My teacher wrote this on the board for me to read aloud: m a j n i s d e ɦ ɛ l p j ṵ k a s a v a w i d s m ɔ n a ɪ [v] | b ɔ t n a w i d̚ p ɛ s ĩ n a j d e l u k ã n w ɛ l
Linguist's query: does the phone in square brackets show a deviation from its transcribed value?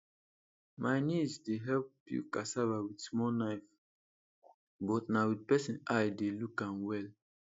yes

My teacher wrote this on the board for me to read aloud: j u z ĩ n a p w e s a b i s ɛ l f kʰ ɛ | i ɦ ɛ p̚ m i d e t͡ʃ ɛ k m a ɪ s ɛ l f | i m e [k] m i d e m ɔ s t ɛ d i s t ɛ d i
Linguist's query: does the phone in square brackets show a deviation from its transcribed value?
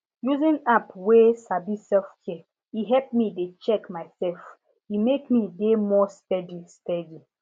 no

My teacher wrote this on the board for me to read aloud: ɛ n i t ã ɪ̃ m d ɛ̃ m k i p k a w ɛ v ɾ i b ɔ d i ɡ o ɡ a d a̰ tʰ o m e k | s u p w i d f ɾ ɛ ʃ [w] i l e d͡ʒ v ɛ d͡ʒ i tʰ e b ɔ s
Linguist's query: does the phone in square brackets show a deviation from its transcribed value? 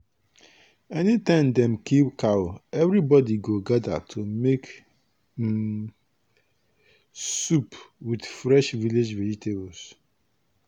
yes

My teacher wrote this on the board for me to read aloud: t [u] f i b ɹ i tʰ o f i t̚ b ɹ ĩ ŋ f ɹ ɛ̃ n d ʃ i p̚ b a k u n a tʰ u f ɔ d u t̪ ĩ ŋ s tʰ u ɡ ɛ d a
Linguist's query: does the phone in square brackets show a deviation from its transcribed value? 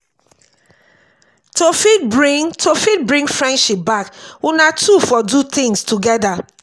yes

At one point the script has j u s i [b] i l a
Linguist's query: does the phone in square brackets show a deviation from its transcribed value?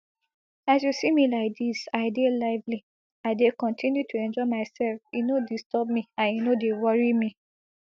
yes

